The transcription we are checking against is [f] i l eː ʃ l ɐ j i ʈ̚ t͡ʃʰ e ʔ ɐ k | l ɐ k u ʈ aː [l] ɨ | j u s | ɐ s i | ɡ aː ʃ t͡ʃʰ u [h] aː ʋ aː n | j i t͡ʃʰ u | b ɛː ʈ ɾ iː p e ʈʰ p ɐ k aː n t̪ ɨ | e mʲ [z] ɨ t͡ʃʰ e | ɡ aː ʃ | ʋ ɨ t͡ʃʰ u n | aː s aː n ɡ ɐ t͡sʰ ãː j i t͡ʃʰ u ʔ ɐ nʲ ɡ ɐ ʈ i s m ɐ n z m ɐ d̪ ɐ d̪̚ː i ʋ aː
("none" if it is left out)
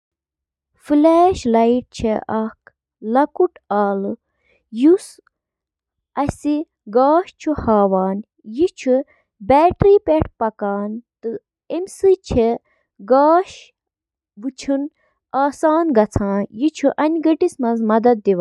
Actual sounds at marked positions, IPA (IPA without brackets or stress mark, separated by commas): f, l, h, s